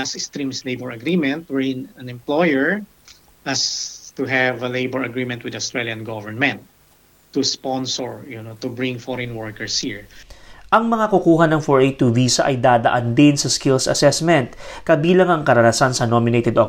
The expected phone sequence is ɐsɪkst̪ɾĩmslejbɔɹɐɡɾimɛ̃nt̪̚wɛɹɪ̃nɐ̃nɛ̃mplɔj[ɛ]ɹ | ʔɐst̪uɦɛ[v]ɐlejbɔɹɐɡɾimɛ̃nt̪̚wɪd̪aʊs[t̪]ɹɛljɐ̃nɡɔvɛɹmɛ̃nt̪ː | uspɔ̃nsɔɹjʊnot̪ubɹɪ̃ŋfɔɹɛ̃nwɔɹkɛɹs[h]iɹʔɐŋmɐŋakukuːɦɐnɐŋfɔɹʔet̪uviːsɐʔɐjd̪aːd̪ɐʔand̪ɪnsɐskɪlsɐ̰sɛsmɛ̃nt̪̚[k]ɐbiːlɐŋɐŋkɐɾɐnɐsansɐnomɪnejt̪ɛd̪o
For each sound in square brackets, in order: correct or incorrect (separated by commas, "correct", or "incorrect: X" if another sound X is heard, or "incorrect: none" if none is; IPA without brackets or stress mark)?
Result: correct, correct, correct, correct, correct